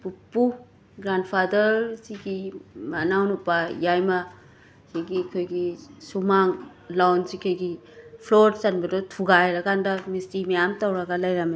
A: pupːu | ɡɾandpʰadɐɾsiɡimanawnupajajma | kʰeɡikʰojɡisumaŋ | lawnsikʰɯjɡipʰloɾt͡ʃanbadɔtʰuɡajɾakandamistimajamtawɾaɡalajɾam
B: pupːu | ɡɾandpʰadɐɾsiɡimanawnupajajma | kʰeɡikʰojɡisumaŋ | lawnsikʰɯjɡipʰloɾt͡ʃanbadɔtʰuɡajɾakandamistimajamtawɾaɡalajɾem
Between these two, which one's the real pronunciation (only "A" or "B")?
A